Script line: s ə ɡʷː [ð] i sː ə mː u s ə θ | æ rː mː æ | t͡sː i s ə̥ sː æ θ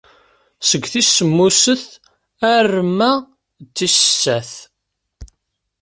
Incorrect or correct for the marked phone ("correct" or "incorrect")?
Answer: incorrect